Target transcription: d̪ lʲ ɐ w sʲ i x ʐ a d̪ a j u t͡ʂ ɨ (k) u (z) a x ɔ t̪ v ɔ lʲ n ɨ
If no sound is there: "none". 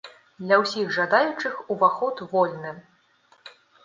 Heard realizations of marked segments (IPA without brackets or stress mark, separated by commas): x, v